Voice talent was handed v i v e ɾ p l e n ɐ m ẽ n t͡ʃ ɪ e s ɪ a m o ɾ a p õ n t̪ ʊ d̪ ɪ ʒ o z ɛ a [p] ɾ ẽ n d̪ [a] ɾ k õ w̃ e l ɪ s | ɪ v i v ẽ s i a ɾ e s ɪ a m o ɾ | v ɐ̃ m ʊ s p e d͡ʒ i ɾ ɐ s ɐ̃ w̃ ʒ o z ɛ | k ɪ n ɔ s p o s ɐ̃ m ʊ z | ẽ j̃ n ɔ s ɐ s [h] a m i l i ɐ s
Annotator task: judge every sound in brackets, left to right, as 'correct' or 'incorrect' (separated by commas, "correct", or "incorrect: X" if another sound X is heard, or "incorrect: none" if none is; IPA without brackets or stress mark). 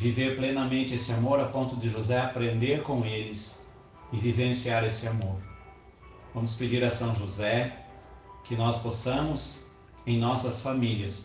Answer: correct, incorrect: e, incorrect: f